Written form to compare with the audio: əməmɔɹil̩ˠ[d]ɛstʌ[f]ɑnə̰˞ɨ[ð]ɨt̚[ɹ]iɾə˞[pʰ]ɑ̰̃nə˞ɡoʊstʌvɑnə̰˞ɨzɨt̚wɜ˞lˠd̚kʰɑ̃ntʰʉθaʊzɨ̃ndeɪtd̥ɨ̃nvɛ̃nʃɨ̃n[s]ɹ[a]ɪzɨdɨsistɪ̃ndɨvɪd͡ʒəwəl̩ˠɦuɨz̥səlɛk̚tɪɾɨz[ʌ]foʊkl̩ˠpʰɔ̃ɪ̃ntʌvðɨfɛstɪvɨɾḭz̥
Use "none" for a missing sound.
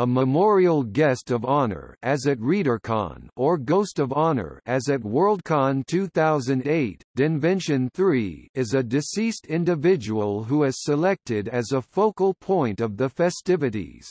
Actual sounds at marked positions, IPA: ɡ, v, z, ɹ, kʰ, θ, i, ə

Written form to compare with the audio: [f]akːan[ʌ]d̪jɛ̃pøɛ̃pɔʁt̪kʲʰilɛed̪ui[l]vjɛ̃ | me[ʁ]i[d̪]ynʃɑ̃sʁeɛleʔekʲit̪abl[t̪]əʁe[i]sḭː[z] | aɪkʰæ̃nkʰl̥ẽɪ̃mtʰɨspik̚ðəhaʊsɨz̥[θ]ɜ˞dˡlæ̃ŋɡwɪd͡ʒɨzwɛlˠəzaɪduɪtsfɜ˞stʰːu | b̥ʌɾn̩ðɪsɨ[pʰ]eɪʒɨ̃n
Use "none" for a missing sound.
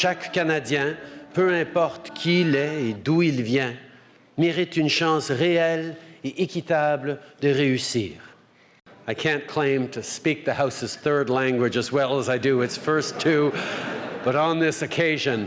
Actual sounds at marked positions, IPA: ʃ, a, l, ʁ, t̪, d̪, y, ʁ, θ, kʰ

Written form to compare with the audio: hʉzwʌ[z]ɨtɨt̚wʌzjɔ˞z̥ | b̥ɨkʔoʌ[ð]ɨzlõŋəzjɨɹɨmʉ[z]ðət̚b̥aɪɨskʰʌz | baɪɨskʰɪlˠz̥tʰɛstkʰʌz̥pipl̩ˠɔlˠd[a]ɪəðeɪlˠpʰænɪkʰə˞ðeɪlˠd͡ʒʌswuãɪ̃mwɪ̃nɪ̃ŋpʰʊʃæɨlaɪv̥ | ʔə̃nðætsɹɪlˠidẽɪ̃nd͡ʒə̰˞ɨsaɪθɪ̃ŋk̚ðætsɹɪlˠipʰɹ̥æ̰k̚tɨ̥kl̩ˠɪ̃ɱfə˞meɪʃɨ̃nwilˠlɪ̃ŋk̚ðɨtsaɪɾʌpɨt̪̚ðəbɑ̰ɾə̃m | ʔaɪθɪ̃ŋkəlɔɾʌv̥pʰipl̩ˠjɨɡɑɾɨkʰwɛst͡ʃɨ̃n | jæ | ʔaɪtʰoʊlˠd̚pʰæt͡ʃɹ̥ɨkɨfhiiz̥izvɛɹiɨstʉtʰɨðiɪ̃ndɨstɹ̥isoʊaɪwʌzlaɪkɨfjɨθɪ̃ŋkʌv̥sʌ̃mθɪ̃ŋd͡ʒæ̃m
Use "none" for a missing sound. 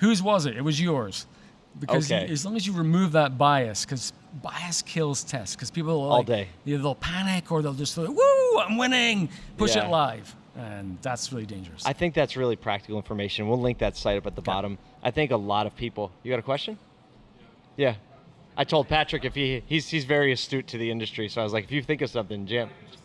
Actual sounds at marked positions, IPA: z, z, v, e

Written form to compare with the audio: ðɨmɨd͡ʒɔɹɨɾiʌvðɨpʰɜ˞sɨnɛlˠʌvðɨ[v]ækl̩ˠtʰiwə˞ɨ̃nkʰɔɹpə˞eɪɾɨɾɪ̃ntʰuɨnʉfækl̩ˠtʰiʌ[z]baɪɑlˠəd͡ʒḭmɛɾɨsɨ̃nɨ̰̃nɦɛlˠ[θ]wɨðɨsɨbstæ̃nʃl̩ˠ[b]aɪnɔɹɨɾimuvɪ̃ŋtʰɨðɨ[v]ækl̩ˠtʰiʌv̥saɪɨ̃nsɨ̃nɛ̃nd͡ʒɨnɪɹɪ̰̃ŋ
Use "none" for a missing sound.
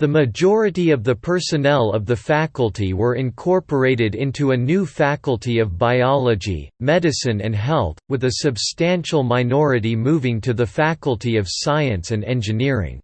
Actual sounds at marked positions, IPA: f, v, θ, m, f

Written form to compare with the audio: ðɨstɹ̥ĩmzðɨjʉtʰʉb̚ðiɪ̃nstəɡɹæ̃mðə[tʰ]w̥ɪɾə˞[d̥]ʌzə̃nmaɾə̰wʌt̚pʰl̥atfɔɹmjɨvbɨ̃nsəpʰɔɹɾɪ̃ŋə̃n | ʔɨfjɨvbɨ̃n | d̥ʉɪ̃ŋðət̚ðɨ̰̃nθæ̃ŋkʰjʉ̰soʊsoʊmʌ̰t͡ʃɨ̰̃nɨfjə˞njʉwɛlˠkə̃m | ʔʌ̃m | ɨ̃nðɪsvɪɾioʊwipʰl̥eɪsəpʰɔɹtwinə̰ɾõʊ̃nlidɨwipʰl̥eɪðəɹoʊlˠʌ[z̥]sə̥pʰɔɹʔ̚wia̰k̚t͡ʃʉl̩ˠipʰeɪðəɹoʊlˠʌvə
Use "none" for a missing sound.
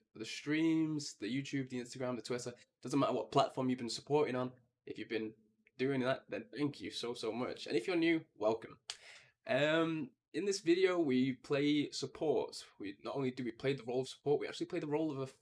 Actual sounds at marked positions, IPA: tʰ, d̥, v̥

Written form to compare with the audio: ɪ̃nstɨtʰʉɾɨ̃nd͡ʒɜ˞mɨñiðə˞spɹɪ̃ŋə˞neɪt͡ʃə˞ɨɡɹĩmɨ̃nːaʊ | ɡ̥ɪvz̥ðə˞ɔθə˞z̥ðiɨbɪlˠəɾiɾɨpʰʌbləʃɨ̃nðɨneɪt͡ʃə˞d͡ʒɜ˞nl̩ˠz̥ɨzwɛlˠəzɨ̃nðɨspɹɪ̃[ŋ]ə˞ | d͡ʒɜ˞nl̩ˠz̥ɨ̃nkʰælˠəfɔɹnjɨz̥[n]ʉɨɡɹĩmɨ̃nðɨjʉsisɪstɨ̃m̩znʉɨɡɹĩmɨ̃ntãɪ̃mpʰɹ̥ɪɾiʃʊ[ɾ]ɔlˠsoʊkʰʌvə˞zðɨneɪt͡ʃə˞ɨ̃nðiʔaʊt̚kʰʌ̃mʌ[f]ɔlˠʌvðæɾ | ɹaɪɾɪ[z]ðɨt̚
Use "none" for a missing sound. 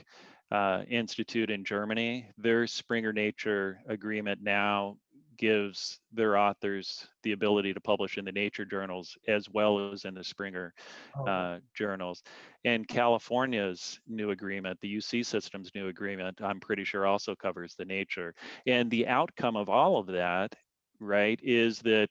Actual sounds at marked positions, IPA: ŋ, n, ɹ, v, z

